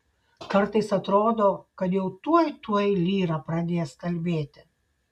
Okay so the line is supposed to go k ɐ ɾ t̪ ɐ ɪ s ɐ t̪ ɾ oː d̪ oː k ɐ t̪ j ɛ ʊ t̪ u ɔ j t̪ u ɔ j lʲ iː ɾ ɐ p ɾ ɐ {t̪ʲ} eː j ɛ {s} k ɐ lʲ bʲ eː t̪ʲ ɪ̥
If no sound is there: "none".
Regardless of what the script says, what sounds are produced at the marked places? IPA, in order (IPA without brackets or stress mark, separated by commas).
d̪ʲ, s